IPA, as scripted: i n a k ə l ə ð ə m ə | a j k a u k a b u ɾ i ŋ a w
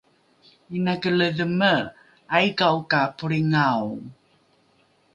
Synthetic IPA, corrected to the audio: i n a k ə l ə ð ə m ə | a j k a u k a p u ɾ i ŋ a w